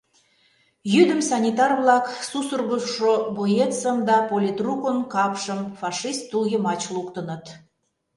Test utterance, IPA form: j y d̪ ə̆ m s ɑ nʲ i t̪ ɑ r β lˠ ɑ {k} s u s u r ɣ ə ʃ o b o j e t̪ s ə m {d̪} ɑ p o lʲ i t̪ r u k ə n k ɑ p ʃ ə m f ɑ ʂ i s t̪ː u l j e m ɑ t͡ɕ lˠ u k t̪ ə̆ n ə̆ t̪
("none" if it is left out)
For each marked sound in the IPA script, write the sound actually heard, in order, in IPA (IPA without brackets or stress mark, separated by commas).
k, d̪